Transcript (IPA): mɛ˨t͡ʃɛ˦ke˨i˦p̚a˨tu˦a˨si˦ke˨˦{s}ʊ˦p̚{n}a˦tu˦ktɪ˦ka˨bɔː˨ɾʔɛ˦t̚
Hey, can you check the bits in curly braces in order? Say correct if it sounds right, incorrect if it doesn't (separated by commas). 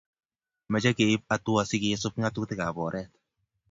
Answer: correct, incorrect